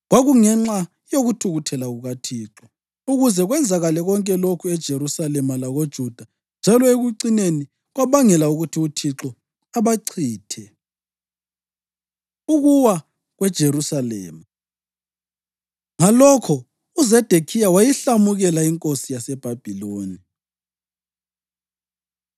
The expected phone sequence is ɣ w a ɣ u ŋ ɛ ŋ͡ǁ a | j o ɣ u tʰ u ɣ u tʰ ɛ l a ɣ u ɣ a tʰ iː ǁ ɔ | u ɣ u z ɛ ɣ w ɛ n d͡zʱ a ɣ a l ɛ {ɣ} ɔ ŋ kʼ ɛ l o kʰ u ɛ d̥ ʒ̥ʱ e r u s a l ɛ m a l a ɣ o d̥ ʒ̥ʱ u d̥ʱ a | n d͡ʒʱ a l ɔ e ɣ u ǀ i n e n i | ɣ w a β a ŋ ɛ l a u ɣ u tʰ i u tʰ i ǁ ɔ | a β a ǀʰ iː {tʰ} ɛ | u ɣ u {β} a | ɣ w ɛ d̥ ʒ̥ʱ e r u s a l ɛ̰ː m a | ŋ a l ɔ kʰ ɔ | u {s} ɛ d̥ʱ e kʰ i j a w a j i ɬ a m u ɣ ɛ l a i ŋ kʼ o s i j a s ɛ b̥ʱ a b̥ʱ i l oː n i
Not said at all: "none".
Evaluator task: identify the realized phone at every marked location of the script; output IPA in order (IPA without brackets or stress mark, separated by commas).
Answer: ɣ, tʰ, w, z